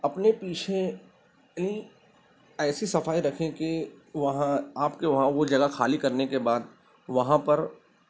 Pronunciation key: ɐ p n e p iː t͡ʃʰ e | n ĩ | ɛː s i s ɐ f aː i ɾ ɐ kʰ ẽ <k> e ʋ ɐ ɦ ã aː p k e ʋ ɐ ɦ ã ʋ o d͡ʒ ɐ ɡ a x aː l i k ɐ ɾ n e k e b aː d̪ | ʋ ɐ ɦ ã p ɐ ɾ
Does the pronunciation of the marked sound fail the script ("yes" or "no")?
no